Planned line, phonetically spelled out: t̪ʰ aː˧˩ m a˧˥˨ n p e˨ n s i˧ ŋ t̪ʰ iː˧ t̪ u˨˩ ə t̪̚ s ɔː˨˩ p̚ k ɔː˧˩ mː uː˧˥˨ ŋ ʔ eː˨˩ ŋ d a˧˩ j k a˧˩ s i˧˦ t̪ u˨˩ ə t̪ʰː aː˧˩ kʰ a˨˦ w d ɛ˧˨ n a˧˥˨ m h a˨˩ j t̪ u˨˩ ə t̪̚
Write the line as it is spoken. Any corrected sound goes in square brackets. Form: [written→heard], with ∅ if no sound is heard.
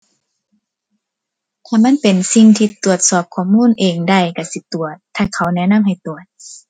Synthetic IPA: t̪ʰ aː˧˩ m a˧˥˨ n p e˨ n s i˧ ŋ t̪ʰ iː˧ t̪ u˨˩ ə t̪̚ s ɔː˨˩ p̚ [k→kʰ] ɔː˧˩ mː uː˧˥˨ [ŋ→n] ʔ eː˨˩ ŋ d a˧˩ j k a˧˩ s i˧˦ t̪ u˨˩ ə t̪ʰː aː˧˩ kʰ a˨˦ w [d→n] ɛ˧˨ n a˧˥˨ m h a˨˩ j t̪ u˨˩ ə t̪̚